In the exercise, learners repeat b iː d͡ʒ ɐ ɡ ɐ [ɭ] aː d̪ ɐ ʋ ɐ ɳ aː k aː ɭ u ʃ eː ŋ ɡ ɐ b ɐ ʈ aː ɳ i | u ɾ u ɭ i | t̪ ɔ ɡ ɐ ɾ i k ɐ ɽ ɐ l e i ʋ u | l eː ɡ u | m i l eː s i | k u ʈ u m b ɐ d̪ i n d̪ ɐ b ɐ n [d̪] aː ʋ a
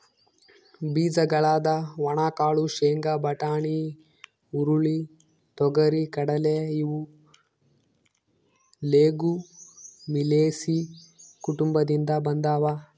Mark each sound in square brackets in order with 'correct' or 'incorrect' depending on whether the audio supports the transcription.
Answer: correct, correct

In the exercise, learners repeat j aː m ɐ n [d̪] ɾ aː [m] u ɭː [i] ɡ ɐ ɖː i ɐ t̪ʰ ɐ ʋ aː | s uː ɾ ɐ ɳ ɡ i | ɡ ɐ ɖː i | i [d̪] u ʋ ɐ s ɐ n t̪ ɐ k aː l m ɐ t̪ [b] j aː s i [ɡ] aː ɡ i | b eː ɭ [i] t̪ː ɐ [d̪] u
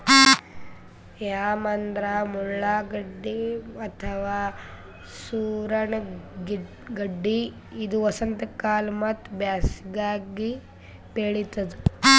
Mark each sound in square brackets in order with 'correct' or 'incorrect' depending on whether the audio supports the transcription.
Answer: correct, correct, incorrect: a, correct, correct, correct, correct, correct

